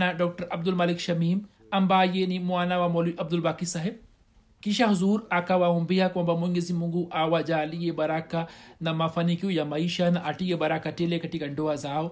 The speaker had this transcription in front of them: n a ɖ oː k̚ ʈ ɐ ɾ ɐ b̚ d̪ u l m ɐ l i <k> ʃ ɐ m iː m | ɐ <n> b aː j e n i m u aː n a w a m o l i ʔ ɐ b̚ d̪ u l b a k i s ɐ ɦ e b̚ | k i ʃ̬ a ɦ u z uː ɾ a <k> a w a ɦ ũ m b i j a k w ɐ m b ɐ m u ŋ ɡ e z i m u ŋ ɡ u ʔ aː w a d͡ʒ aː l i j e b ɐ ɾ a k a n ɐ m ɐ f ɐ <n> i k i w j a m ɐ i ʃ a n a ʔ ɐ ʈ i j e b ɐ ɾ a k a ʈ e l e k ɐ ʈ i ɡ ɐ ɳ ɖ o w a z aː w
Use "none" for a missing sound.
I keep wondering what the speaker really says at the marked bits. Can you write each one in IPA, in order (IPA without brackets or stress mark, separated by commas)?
k, m, k, n